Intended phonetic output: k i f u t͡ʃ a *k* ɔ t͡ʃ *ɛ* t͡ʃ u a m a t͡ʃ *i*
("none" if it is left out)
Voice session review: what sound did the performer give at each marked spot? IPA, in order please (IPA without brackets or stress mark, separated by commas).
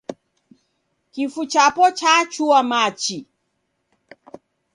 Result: p, a, i